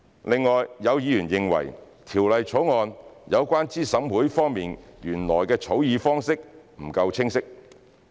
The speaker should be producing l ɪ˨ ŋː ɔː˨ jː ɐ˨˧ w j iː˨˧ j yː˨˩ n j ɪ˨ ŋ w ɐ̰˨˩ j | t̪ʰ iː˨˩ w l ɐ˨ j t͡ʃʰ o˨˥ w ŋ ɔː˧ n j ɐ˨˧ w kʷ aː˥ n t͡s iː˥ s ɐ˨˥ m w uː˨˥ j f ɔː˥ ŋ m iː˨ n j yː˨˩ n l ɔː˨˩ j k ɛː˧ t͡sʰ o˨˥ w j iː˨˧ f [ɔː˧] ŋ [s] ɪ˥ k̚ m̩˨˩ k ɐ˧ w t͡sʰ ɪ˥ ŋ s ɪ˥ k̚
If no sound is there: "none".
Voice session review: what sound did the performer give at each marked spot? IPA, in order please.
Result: ɔː˥, s

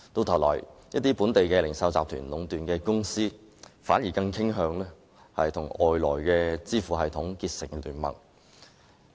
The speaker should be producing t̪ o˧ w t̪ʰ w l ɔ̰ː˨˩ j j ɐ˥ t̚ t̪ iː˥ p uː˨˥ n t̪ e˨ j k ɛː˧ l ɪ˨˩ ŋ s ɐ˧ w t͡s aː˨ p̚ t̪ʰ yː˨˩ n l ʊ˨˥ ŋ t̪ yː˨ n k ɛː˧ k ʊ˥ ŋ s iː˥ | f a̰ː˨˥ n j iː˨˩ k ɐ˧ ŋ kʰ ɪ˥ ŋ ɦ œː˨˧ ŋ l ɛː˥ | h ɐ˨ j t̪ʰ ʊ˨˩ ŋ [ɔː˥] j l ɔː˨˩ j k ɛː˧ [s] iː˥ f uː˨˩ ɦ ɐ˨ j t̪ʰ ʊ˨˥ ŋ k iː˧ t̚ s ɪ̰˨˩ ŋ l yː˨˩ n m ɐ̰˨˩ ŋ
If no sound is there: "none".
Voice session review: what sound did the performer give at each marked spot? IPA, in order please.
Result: ɔː˨, t͡s

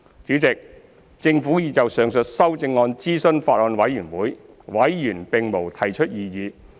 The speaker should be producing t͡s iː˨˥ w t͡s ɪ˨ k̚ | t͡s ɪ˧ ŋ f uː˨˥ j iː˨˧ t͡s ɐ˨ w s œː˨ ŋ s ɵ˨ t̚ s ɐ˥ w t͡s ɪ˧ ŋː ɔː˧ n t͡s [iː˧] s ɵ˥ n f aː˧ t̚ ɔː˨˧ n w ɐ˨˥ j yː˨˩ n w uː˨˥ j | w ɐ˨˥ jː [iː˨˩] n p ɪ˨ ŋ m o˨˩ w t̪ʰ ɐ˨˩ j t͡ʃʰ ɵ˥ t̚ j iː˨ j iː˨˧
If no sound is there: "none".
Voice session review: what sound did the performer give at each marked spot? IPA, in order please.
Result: iː˥, yː˨˩

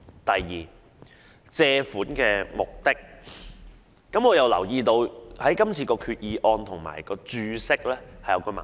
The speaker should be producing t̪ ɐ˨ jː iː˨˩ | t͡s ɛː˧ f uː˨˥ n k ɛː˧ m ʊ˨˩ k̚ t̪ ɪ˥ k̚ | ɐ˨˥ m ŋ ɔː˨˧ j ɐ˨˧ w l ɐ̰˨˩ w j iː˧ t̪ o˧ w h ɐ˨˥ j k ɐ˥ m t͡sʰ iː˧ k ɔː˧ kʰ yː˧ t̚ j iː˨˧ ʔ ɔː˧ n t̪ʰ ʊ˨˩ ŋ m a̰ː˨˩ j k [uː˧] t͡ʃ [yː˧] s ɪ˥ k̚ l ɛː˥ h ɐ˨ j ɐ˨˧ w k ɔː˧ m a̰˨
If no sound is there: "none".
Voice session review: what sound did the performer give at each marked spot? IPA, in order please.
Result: ɔː˧, yː˧

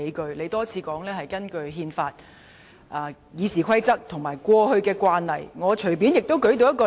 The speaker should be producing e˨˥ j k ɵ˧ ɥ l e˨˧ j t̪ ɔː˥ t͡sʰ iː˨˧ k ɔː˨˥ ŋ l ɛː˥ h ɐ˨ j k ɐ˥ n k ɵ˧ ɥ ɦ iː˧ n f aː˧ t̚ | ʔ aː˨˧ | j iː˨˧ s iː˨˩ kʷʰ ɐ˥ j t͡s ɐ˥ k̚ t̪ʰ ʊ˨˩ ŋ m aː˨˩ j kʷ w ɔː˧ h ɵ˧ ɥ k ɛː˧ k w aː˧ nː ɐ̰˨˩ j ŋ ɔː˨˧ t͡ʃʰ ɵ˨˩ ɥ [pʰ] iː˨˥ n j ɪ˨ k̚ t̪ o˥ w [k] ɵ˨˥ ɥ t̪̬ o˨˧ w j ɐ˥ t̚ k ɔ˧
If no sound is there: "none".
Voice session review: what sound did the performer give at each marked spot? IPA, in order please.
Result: p, k

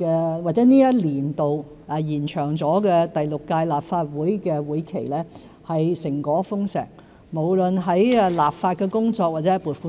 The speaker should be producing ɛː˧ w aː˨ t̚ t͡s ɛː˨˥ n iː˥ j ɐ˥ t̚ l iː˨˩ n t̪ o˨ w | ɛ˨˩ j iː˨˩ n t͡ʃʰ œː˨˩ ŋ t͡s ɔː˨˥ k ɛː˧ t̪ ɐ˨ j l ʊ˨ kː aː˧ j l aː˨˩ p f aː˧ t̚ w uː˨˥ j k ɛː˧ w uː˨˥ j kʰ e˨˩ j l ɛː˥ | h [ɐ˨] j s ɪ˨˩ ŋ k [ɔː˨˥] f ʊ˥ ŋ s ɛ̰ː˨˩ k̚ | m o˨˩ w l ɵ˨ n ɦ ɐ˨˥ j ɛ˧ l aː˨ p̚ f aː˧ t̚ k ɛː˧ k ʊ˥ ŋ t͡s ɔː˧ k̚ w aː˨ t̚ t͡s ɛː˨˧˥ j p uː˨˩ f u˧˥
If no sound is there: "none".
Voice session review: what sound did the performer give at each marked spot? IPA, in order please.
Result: ɐ˨, ɔː˨˥

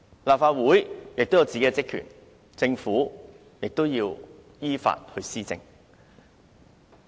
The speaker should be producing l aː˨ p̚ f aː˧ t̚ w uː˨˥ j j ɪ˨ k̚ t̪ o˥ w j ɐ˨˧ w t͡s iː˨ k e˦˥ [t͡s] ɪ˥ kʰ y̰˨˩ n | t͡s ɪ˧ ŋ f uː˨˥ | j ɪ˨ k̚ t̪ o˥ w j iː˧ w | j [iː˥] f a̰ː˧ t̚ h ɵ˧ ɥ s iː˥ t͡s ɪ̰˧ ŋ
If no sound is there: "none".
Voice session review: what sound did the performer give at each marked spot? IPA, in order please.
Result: t͡s, iː˥

